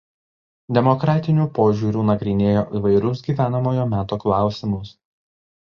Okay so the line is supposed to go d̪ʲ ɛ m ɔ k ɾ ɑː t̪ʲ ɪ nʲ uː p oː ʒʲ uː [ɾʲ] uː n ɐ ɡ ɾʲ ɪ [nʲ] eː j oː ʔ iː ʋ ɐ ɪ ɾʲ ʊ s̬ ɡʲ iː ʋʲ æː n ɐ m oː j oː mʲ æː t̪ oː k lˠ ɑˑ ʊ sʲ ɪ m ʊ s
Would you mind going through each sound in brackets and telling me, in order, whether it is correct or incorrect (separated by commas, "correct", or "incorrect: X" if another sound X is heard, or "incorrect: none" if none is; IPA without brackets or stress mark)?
correct, correct